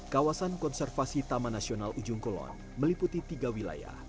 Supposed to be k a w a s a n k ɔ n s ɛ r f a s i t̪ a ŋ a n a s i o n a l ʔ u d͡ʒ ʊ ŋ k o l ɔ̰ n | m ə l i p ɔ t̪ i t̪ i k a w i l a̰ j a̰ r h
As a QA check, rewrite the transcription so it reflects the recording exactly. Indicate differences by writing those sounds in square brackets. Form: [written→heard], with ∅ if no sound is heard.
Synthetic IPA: k a w a s a n k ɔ n s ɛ r f a s i t̪ a [ŋ→m] a n a s i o n a l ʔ u d͡ʒ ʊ ŋ k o l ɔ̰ n | m ə l i p [ɔ→u] t̪ i t̪ i [k→ɡ] a w i l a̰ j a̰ [r→∅] h

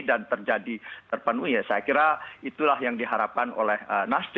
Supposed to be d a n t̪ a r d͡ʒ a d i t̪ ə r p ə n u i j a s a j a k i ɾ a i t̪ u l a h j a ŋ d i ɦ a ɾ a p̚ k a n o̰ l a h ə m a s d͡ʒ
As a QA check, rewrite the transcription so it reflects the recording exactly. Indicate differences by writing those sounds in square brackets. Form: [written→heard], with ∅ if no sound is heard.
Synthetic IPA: d a n t̪ [a→ə] r d͡ʒ a d i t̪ ə r p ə n u i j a s a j a k i ɾ a i t̪ u l a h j a ŋ d i ɦ a ɾ a p̚ k a n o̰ l [a→ɛ] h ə [m→n] a s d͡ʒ

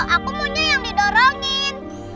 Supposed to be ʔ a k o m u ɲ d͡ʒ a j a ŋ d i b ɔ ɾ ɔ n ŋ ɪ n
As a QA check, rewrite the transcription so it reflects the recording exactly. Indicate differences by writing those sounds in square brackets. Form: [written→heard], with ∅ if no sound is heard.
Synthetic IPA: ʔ a k [o→u] m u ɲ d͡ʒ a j a ŋ d i [b→d] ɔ ɾ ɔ [n→∅] ŋ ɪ n

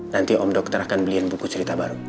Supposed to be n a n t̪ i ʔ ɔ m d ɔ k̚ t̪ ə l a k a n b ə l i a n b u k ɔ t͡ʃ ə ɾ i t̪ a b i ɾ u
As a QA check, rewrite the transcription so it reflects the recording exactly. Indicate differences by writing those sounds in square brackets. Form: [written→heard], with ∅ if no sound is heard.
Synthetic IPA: n a n t̪ i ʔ ɔ m d ɔ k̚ t̪ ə [l→ɾ] a k a n b ə l i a n b u k [ɔ→u] t͡ʃ ə ɾ i t̪ a b [i→a] ɾ u

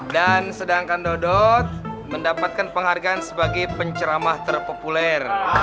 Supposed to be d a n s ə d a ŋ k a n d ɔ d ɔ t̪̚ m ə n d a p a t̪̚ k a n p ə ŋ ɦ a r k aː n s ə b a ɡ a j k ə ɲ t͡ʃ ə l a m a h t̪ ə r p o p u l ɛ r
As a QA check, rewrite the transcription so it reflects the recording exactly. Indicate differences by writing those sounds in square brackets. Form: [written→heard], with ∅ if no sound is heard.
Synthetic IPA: d a n s ə d a ŋ k a n d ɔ d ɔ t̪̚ m ə n d a p a t̪̚ k a n p ə ŋ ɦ a r [k→ɡ] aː n s ə b a ɡ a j [k→p] ə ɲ t͡ʃ ə [l→ɾ] a m a h t̪ ə r p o p u l ɛ r

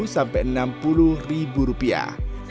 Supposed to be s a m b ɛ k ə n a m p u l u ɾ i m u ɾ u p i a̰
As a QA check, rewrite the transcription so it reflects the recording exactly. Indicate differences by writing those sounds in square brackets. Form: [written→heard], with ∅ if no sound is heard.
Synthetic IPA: s a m [b→p] ɛ [k→ʔ] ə n a m p u l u [ɾ→r] i [m→b] u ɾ u p i a̰

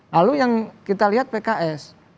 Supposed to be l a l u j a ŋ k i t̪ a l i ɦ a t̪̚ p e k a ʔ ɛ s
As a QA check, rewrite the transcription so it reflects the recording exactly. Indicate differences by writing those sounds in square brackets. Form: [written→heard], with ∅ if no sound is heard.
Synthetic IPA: l a l u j a ŋ k i t̪ a l i ɦ a t̪̚ p e k a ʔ ɛ s

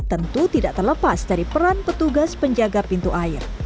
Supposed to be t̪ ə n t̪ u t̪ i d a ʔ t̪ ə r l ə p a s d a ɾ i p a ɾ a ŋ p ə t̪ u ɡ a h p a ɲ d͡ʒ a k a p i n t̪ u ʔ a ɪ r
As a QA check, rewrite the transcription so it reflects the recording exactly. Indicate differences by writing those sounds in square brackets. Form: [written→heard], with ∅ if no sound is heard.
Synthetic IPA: t̪ ə n t̪ u t̪ i d a ʔ t̪ ə r l ə p a s d a ɾ i p [a→ə] ɾ a [ŋ→n] p ə t̪ u ɡ a [h→s] p [a→ə] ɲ d͡ʒ a [k→ɡ] a p i n t̪ u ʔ a ɪ r

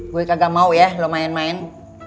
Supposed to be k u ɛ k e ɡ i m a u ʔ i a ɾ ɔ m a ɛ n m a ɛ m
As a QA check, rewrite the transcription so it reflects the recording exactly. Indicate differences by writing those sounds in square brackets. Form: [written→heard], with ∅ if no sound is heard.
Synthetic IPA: [k→ɡ] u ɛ k [e→a] ɡ [i→a] m a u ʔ [i→j] a [ɾ→l] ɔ m a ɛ n m a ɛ [m→n]

